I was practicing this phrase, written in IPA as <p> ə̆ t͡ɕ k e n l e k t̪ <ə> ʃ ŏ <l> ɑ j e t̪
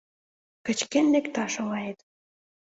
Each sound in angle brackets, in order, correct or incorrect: incorrect, incorrect, correct

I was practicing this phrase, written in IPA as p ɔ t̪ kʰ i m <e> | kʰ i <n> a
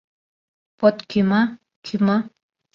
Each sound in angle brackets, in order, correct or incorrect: incorrect, incorrect

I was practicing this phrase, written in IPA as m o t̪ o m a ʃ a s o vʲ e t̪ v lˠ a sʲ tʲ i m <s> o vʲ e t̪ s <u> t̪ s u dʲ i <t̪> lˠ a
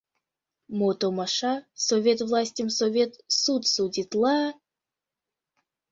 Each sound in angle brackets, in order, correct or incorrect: correct, correct, correct

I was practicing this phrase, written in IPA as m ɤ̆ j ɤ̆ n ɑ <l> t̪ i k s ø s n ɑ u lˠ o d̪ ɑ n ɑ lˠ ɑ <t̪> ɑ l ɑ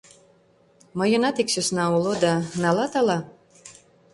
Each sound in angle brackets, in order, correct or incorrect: incorrect, correct

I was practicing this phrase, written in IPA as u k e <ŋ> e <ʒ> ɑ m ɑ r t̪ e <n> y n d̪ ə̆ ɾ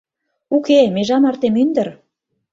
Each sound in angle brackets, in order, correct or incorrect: incorrect, correct, incorrect

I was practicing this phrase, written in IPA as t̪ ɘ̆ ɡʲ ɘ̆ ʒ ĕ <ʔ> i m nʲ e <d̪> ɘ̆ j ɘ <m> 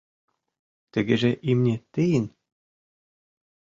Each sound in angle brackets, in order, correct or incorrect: correct, incorrect, incorrect

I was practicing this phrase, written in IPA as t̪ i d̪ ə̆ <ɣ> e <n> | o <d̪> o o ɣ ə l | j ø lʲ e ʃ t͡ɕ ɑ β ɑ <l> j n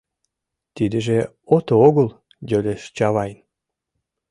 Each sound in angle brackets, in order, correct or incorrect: incorrect, incorrect, incorrect, incorrect

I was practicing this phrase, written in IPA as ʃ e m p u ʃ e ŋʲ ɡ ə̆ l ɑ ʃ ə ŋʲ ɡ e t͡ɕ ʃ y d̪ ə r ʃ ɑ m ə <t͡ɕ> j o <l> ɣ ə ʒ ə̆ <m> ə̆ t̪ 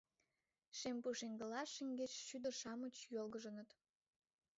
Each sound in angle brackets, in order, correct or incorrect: correct, correct, incorrect

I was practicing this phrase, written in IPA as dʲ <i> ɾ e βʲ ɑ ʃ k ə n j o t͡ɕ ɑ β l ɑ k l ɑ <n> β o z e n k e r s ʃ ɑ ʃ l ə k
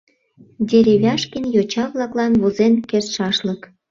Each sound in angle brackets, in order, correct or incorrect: incorrect, correct

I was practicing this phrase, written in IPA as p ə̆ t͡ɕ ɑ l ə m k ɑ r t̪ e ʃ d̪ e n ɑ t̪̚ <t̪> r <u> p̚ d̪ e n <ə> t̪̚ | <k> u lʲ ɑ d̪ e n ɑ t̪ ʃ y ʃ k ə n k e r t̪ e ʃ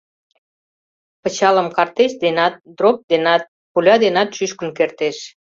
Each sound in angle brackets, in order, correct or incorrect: incorrect, incorrect, incorrect, incorrect

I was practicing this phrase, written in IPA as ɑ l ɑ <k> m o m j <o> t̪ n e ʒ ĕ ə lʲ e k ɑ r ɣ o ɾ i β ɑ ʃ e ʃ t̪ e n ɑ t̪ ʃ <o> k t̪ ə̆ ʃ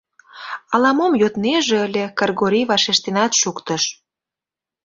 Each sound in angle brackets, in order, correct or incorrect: incorrect, correct, incorrect

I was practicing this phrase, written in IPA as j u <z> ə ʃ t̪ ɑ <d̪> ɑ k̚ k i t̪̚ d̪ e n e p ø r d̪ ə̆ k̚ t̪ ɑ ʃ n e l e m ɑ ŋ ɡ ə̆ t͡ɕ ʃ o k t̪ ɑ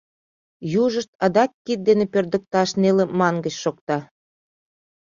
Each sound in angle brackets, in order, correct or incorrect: incorrect, correct

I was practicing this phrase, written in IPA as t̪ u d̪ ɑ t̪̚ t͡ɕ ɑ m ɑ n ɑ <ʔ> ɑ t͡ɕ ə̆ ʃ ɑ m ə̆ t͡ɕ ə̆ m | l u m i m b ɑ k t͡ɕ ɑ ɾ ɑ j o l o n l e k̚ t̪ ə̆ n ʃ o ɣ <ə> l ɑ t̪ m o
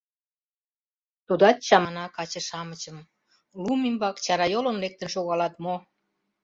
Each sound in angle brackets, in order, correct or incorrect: incorrect, incorrect

